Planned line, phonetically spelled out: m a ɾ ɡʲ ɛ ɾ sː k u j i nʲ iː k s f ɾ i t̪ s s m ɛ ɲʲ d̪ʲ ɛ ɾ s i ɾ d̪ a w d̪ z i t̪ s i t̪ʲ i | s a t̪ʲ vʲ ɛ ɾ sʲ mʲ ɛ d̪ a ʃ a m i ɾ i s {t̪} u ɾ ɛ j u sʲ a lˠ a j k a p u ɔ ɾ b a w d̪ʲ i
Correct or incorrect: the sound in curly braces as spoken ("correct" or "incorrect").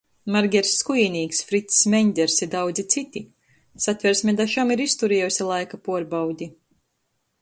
correct